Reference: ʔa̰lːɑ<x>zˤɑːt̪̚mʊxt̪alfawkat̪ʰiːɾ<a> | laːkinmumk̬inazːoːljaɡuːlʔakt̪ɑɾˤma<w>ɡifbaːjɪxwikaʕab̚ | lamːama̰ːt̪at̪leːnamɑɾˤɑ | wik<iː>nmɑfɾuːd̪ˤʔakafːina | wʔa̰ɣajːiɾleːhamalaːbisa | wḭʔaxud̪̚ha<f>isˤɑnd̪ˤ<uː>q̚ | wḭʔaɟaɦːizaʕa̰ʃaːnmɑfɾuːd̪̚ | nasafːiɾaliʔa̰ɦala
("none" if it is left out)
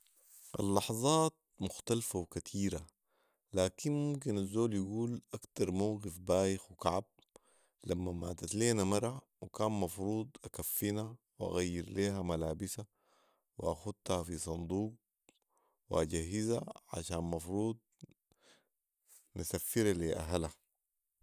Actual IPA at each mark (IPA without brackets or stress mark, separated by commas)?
ħ, a, w, aː, f, uː